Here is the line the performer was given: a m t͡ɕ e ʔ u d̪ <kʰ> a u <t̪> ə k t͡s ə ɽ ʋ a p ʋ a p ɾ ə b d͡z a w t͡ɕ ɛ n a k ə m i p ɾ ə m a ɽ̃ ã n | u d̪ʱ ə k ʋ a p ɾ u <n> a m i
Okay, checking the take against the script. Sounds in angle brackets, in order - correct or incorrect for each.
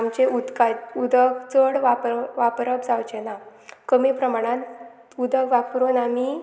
incorrect: k, incorrect: d̪, correct

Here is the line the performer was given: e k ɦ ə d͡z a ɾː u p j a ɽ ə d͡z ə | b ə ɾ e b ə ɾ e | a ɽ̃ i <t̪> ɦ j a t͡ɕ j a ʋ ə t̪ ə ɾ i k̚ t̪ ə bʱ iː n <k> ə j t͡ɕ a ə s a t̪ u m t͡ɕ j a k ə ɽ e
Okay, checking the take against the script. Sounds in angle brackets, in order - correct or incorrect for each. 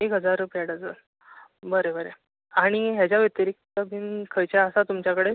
incorrect: none, incorrect: kʰ

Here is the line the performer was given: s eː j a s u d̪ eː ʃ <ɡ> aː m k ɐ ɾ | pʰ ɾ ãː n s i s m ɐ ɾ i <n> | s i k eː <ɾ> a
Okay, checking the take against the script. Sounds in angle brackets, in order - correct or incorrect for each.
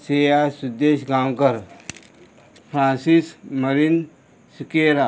correct, correct, correct

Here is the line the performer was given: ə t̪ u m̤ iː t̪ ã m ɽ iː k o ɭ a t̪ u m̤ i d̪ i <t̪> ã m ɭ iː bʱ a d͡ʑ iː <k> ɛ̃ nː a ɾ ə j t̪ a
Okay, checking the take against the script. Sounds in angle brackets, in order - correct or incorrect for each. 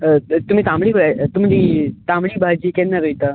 correct, correct

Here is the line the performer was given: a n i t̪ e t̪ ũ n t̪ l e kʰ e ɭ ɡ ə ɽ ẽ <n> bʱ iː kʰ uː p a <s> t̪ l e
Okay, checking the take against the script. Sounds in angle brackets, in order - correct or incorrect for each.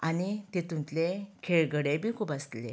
incorrect: none, correct

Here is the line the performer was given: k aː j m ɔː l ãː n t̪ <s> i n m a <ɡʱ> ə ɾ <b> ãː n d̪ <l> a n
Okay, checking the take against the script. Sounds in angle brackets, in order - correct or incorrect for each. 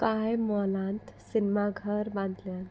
correct, correct, correct, correct

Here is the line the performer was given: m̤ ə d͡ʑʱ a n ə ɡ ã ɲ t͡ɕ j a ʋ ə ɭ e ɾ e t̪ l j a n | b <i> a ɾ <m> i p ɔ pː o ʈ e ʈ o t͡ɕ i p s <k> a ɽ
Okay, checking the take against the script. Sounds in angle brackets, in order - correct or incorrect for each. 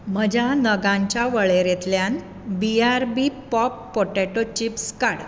correct, incorrect: b, correct

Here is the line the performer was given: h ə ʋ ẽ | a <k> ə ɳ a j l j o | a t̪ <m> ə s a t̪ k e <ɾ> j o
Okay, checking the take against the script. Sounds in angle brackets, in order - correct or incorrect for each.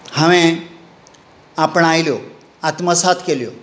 incorrect: p, correct, incorrect: l

